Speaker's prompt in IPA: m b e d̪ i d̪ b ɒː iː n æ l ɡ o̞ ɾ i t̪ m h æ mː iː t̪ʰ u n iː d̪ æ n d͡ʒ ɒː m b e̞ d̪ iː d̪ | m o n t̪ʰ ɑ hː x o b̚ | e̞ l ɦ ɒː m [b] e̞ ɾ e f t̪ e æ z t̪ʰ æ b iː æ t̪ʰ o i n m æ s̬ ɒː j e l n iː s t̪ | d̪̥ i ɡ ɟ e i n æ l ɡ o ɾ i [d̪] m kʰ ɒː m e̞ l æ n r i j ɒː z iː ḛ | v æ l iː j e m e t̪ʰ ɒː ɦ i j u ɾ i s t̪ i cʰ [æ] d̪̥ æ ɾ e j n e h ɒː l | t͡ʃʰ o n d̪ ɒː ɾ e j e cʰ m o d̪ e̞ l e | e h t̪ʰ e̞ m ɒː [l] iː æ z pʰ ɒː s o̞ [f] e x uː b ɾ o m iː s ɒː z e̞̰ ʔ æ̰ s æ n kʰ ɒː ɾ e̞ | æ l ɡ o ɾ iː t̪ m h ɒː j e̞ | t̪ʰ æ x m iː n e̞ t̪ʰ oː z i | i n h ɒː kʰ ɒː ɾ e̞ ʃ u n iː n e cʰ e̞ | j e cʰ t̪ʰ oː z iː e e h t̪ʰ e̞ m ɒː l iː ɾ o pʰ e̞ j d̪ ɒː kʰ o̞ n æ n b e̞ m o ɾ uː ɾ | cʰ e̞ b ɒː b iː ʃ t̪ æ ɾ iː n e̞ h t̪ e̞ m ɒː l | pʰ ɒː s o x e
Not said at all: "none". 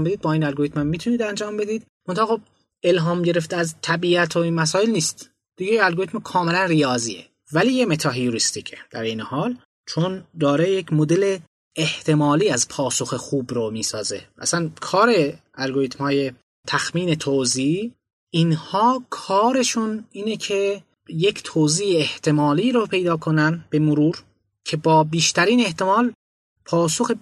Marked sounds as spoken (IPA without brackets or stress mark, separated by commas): ɟ, t̪, e, l, x